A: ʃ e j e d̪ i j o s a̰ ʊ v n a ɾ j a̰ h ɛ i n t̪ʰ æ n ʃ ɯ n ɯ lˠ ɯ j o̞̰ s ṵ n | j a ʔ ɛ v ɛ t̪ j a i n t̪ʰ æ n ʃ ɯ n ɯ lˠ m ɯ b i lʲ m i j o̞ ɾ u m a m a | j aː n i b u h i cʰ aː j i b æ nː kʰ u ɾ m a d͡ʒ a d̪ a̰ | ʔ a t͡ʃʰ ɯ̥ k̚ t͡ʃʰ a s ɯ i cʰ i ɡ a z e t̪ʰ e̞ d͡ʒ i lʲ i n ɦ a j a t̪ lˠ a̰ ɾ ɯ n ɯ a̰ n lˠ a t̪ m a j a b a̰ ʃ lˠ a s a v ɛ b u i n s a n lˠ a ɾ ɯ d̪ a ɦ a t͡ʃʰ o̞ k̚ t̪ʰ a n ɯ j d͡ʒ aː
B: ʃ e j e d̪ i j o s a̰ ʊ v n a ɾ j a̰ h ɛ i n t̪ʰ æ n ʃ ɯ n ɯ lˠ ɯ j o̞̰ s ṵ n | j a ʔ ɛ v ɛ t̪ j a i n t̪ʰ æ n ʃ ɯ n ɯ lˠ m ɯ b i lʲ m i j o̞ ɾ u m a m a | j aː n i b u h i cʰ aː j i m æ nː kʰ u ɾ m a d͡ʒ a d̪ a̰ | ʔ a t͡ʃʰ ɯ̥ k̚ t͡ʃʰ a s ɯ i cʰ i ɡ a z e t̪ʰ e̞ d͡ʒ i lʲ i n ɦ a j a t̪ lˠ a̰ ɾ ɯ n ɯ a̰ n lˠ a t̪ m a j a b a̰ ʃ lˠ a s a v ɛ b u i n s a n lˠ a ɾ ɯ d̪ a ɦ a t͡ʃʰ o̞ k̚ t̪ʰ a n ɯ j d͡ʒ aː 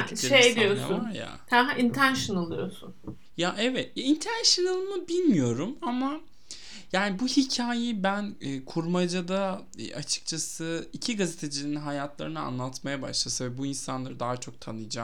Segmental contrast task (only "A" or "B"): A